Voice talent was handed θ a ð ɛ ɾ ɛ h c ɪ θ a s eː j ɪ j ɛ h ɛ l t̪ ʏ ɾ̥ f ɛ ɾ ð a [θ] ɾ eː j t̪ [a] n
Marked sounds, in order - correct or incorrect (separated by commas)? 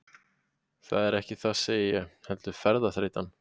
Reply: correct, correct